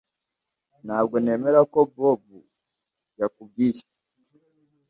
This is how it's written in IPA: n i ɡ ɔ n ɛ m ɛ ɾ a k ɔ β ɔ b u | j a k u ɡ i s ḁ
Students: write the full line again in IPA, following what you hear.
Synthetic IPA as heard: n a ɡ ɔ n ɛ m ɛ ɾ a k ɔ b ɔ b u | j a k u ɡ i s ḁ